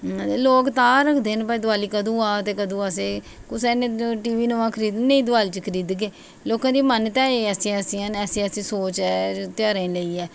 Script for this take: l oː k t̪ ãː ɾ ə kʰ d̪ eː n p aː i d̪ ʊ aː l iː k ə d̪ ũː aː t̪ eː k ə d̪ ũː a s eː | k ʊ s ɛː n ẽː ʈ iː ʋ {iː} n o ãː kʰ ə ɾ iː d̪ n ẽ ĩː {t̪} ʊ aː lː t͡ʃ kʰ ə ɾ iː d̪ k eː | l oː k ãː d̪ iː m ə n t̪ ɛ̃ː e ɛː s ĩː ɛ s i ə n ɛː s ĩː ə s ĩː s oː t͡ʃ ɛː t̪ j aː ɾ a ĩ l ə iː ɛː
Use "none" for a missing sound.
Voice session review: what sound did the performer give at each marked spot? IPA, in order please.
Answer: iː, d̪

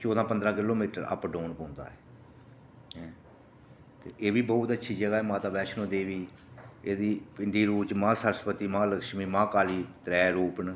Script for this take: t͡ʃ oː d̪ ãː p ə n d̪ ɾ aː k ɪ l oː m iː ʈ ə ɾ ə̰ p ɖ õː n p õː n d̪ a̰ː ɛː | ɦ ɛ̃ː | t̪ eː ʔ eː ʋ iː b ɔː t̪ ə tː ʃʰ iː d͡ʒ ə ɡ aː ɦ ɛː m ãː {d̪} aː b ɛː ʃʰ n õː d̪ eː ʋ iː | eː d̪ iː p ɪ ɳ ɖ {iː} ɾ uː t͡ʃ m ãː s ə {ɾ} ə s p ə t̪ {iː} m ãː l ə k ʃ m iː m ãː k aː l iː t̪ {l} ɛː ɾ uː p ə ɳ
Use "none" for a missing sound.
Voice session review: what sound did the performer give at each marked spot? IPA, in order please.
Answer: t̪, iː, ɾ, iː, ɾ

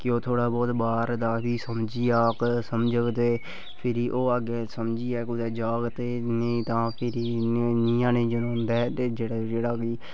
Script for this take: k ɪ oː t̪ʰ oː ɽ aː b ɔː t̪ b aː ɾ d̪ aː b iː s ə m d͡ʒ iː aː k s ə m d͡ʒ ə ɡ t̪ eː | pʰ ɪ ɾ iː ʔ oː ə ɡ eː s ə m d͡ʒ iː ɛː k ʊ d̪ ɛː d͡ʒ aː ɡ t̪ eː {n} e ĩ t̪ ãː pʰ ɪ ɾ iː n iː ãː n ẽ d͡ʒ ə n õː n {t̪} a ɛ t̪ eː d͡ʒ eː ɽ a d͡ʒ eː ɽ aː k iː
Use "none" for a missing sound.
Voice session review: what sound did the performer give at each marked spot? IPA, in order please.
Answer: n, d̪

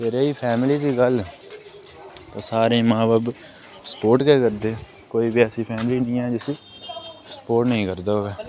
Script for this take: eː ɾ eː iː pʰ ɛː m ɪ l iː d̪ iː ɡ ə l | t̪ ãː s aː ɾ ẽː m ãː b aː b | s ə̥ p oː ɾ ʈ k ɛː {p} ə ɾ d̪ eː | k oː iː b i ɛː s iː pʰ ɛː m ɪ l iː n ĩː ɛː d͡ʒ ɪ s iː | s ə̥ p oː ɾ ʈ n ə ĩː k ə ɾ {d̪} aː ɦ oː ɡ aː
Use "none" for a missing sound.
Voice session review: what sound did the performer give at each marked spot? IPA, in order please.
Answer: k, d̪

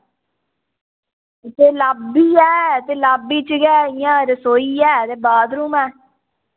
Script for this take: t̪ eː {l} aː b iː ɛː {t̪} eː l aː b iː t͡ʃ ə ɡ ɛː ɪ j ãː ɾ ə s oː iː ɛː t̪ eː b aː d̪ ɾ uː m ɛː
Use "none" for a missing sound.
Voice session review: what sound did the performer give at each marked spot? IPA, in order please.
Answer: l, t̪

